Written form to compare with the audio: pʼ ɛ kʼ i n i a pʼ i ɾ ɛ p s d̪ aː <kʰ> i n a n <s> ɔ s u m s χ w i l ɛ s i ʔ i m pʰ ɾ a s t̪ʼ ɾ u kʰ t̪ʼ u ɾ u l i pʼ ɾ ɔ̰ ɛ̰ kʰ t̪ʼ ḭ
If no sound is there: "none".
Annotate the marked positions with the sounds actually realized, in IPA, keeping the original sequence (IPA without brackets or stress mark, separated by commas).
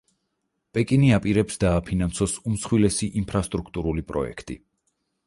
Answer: pʰ, s